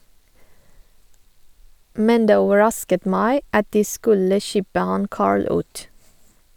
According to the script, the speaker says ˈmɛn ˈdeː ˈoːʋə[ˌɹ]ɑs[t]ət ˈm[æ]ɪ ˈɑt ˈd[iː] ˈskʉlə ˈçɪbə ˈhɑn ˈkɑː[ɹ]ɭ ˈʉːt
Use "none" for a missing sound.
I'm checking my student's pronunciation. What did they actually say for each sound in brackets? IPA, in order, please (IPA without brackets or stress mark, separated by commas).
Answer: ɹ, k, æ, iː, ɹ